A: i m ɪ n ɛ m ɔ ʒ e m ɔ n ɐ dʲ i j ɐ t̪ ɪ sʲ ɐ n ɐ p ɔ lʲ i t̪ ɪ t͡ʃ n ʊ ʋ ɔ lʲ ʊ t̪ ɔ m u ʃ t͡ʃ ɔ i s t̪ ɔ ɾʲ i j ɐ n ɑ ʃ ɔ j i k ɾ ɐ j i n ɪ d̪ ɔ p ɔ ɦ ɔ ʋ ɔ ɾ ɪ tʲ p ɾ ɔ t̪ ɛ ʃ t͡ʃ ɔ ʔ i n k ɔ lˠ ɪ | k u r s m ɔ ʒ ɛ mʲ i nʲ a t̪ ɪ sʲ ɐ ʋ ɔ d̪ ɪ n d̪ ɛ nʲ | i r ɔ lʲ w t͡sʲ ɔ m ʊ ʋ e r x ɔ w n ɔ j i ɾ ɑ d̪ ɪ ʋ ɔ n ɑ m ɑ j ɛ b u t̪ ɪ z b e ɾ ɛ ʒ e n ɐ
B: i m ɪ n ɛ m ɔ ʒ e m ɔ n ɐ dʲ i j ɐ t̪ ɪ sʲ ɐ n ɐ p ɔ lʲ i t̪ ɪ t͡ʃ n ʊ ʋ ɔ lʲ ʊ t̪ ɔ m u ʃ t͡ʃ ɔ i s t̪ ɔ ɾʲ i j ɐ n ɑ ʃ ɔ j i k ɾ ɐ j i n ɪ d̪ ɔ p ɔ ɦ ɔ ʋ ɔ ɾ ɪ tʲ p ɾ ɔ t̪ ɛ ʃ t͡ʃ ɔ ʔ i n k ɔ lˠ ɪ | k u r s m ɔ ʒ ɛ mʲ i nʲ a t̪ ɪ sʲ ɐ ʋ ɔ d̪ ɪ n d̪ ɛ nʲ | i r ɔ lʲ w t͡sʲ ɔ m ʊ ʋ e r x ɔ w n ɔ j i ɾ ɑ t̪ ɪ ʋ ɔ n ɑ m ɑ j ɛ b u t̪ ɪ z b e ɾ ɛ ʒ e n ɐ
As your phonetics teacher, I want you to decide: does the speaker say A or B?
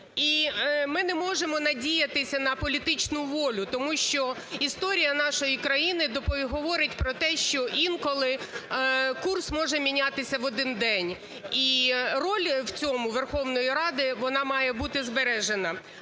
A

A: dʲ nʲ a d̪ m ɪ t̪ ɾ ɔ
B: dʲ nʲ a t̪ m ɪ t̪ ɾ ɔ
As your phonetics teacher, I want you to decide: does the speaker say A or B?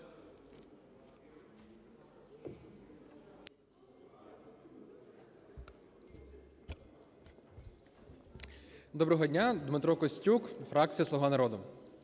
A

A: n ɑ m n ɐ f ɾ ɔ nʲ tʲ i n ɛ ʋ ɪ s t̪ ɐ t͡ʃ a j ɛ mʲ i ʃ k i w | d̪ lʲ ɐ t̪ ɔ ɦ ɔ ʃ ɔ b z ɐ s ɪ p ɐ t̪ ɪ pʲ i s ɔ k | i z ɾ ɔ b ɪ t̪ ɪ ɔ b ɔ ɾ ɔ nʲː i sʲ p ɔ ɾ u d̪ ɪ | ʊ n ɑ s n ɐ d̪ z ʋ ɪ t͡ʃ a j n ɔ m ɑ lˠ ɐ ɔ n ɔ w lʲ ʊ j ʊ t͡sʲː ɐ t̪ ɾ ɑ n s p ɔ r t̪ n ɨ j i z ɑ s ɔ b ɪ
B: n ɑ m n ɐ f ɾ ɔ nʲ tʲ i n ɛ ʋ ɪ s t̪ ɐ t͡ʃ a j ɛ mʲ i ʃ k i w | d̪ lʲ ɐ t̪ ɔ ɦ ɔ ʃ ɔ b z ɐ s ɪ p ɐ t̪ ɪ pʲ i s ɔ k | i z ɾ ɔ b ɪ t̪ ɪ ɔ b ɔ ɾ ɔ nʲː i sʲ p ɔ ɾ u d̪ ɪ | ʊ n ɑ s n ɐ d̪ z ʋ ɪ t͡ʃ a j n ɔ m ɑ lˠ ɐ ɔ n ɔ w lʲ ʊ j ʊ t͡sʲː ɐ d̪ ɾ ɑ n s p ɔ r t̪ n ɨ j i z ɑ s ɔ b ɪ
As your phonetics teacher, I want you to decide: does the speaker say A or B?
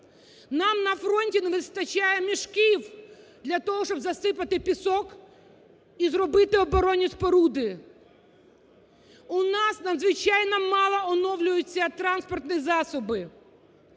A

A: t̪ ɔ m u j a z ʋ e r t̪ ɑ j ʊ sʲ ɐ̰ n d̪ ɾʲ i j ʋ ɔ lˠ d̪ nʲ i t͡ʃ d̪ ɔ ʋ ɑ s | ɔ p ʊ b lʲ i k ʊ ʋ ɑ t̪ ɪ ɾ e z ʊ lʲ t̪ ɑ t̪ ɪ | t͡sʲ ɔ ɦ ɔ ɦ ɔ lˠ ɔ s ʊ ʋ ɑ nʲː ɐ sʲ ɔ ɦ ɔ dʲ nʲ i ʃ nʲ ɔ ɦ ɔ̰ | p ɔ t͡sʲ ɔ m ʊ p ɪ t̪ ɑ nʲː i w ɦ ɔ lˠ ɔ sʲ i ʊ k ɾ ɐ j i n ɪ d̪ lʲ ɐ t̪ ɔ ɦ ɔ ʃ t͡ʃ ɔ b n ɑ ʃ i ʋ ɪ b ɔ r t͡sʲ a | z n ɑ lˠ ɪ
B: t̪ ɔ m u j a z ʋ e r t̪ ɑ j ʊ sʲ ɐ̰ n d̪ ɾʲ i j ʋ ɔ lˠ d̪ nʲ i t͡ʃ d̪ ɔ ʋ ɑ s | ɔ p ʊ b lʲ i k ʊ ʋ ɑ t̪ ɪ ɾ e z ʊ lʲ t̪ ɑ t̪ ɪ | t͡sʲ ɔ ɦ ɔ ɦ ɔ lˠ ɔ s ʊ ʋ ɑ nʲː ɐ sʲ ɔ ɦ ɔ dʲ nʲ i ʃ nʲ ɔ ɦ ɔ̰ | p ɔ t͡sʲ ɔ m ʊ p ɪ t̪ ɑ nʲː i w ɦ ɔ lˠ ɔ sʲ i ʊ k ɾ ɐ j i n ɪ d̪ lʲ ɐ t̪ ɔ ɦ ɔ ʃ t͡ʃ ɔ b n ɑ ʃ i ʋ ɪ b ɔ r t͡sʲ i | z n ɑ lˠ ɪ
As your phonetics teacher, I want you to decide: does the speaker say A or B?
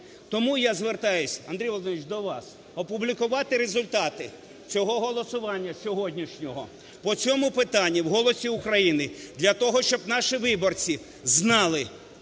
B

